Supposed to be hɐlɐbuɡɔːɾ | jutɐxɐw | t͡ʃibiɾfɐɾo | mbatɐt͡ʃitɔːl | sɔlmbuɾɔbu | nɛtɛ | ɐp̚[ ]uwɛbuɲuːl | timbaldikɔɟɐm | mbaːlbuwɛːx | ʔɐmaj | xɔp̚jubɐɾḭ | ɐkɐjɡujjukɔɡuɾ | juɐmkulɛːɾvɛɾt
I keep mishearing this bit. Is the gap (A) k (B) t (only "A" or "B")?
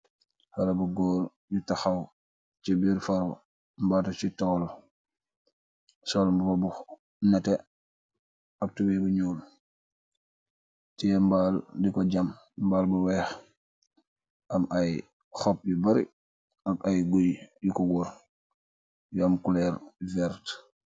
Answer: B